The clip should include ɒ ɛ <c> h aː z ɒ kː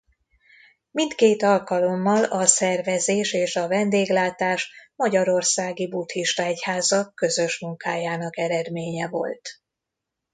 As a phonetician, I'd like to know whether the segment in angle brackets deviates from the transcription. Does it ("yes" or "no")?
no